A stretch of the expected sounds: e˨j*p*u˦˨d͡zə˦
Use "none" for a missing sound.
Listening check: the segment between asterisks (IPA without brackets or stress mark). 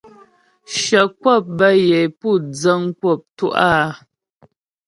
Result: p